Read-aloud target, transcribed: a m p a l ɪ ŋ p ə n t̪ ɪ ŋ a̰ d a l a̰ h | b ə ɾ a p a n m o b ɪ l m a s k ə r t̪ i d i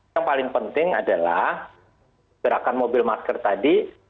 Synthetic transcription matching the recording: a ŋ p a l ɪ ŋ p ə n t̪ ɪ ŋ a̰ d a l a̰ h | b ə ɾ a k a n m o b ɪ l m a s k ə r t̪ a d i